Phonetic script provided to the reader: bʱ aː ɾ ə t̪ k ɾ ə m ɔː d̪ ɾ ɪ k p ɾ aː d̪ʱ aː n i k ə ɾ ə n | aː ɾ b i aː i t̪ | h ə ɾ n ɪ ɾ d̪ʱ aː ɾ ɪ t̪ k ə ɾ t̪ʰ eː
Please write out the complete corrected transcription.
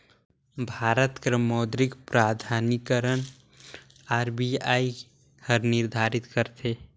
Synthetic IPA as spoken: bʱ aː ɾ ə t̪ k ɾ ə m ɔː d̪ ɾ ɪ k p ɾ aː d̪ʱ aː n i k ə ɾ ə n | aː ɾ b i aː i | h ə ɾ n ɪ ɾ d̪ʱ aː ɾ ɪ t̪ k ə ɾ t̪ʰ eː

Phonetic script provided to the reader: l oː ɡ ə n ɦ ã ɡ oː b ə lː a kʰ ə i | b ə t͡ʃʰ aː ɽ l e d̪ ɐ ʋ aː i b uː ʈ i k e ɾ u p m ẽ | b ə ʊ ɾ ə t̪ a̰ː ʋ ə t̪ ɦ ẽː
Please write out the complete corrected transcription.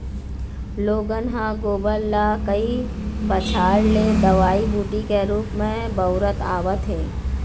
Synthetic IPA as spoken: l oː ɡ ə n ɦ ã ɡ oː b ə lː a k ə i | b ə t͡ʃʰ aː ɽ l e d̪ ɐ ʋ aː i b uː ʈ i k e ɾ uː p m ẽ | b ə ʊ ɾ ə t̪ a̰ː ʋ ə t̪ ɦ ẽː

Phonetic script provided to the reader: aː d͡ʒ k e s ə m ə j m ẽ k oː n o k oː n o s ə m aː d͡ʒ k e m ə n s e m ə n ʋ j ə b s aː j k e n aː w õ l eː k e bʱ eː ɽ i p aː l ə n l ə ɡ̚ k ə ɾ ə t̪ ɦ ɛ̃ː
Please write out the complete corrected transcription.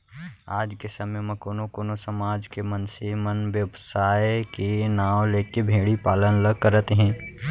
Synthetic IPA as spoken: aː d͡ʒ k e s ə m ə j m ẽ k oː n o k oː n o s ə m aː d͡ʒ k e m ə n s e m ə n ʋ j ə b s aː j k e n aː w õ l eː k e bʱ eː ɽ i p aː l ə n l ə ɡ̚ k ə ɾ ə t̪ ɦ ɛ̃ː

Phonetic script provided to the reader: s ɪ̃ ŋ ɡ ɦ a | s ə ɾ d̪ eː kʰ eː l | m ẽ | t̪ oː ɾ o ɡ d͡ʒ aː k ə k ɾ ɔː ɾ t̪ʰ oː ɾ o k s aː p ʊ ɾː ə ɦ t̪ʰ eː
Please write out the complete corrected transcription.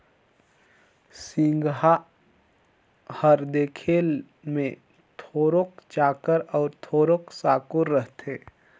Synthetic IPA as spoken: s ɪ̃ ŋ ɡ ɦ a | h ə ɾ d̪ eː kʰ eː l | m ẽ | t̪ʰ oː ɾ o k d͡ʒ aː k ə ɾ ɔː ɾ t̪ʰ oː ɾ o k s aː k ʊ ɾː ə ɦ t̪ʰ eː

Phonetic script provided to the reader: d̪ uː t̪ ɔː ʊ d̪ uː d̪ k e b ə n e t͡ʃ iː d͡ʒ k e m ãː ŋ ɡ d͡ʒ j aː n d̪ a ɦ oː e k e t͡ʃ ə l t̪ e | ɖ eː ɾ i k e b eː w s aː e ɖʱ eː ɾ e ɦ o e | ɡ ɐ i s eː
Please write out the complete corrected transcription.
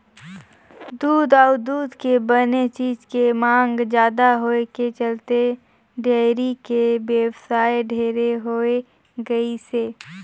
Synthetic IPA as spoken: d̪ uː d̪ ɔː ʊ d̪ uː d̪ k e b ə n e t͡ʃ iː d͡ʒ k e m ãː ŋ ɡ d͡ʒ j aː d̪ a ɦ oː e k e t͡ʃ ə l t̪ e | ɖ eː ɾ i k e b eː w s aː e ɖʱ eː ɾ e ɦ o e | ɡ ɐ i s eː

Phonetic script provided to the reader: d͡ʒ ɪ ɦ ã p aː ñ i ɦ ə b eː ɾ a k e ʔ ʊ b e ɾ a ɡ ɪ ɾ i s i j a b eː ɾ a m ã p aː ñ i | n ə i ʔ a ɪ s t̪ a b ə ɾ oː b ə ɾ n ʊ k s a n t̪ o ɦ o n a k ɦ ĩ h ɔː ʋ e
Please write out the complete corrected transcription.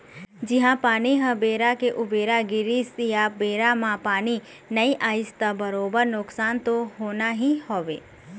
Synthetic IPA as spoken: d͡ʒ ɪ ɦ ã p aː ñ i ɦ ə b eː ɾ a k e ʔ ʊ b e ɾ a ɡ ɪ ɾ i s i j a b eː ɾ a m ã p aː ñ i | n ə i ʔ a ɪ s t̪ a b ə ɾ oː b ə ɾ n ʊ k s a n t̪ o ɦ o n a ɦ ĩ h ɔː ʋ e

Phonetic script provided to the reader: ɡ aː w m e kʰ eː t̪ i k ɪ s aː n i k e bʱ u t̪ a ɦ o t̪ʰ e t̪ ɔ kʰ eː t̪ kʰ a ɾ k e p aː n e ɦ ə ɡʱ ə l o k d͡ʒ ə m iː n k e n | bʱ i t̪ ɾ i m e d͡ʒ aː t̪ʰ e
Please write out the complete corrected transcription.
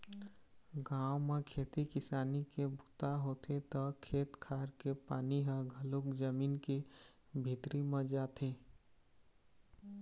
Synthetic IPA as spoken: ɡ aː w m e kʰ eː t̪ i k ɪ s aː n i k e bʱ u t̪ a ɦ o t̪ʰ e t̪ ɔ kʰ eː t̪ kʰ a ɾ k e p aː n i ɦ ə ɡʱ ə l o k d͡ʒ ə m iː n k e | bʱ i t̪ ɾ i m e d͡ʒ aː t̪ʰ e

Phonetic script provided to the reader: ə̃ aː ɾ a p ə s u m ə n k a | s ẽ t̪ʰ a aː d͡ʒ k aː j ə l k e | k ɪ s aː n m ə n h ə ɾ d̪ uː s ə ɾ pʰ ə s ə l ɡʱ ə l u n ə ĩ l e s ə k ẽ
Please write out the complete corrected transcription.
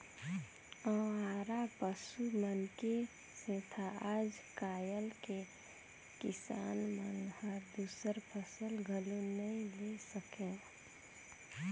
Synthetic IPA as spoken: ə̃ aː ɾ a p ə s u m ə n k e | s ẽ t̪ʰ a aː d͡ʒ k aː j ə l k e | k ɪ s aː n m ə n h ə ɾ d̪ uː s ə ɾ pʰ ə s ə l ɡʱ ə l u n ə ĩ l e s ə k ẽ

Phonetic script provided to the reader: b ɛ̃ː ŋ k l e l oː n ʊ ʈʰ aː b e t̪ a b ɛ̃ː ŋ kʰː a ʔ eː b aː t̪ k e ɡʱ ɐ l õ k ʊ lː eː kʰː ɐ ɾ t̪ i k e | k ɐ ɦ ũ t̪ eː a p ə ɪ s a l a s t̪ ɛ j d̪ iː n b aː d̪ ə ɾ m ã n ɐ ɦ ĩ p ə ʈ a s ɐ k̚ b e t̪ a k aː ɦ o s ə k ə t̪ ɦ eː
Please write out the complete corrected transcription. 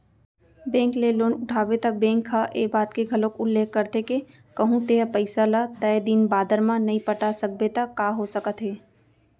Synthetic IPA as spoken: b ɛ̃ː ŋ k l e l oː n ʊ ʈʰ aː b e t̪ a b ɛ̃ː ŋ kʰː a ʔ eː b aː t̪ k e ɡʱ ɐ l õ k ʊ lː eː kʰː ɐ ɾ t̪ e k e | k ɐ ɦ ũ t̪ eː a p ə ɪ s a l a t̪ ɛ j d̪ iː n b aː d̪ ə ɾ m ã n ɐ ɦ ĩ p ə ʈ a s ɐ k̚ b e t̪ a k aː ɦ o s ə k ə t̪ ɦ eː

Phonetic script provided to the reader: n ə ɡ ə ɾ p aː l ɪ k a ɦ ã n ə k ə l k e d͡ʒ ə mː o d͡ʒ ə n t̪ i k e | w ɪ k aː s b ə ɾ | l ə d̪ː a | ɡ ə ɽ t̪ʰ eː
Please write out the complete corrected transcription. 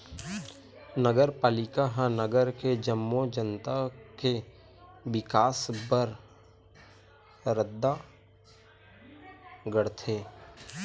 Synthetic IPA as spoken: n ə ɡ ə ɾ p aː l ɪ k a ɦ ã n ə ɡ ə ɾ k e d͡ʒ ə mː o d͡ʒ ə n t̪ a k e | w ɪ k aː s b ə ɾ | ɾ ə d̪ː a | ɡ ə ɽ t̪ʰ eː

